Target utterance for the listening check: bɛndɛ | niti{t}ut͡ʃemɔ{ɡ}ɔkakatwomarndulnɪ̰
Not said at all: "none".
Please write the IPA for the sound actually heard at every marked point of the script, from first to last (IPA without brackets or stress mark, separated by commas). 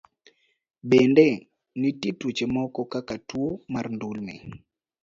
t, k